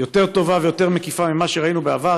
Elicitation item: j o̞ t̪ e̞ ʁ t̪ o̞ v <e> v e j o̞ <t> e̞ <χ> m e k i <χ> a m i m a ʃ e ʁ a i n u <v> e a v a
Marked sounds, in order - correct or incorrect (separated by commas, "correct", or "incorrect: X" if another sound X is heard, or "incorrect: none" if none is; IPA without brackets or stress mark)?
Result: incorrect: a, correct, incorrect: ʁ, incorrect: f, incorrect: b